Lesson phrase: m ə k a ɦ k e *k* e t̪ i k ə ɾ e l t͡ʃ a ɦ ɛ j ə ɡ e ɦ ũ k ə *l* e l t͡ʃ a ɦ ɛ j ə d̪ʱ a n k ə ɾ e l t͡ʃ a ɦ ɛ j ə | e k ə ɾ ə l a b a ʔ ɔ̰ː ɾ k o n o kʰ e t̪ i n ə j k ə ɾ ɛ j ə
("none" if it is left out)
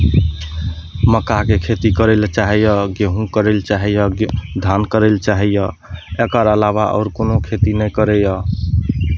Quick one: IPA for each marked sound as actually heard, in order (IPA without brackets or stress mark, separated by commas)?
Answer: kʰ, ɾ